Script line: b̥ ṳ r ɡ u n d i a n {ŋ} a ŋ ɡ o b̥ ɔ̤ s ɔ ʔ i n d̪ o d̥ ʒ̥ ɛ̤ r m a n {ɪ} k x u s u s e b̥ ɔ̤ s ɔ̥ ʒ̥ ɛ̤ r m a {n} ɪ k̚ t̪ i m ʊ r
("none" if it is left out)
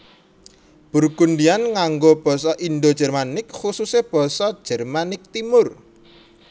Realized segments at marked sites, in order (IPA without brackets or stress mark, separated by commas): ŋ, ɪ, n